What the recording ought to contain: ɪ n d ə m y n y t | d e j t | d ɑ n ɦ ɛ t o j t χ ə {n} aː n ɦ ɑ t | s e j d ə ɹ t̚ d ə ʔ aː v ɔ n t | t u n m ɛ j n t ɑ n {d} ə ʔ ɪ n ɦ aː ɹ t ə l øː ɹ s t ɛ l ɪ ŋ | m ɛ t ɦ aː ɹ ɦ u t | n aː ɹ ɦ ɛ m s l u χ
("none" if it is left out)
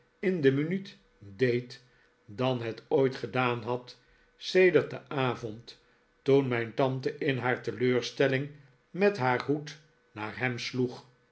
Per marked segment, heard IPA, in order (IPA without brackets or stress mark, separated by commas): d, t